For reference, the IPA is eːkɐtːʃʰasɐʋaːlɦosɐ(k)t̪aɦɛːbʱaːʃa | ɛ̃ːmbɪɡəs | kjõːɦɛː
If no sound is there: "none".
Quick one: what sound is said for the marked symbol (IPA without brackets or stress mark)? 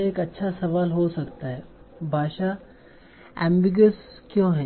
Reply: k